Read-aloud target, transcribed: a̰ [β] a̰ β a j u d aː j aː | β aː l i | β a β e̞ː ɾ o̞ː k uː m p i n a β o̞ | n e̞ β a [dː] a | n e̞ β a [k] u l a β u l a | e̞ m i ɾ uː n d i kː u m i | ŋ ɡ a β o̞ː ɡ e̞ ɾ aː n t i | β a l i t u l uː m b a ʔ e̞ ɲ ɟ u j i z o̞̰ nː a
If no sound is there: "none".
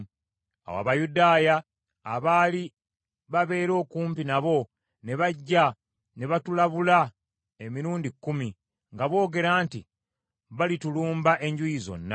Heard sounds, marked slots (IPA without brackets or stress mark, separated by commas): w, ɟː, t